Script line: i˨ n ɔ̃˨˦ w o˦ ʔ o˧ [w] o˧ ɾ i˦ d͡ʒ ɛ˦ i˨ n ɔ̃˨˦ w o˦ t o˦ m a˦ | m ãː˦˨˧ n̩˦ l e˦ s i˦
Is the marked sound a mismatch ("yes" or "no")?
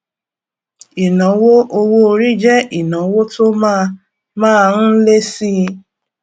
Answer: no